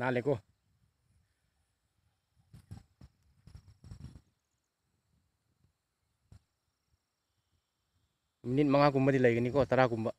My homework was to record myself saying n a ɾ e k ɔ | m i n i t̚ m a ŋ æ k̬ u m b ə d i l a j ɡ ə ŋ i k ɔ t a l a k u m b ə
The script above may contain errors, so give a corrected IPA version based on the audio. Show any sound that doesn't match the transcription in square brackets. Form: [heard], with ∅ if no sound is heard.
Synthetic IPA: n a [l] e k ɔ | m i n i t̚ m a ŋ [a] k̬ u m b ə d i l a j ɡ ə [n] i k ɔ t a [ɾ] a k u m b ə